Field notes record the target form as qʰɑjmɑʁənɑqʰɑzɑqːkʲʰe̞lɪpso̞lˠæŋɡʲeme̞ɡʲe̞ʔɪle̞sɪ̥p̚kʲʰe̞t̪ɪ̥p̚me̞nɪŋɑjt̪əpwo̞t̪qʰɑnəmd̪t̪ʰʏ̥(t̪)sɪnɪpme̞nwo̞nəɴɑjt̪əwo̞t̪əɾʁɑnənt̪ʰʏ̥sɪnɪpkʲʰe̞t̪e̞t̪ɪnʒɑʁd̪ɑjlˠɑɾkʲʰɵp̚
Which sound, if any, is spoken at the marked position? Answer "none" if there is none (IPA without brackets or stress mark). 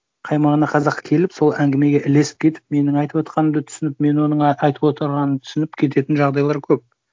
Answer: none